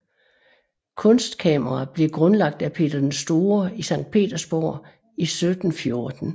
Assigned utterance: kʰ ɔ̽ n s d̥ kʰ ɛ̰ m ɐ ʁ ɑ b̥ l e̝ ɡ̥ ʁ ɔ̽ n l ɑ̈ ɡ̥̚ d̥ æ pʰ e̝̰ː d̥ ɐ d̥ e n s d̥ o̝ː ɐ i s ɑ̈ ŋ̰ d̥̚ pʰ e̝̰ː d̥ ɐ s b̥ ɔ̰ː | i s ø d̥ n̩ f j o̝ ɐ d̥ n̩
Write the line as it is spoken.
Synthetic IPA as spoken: kʰ ɔ̽ n s d̥ kʰ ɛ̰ m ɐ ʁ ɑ b̥ l e̝ ɡ̥ ʁ ɔ̽ n l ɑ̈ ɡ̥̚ d̥ æ pʰ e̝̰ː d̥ ɐ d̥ e n s d̥ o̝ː ɐ i s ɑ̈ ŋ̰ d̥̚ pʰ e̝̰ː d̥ ɐ s b̥ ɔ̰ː | i s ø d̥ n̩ f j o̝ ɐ d̥ n̩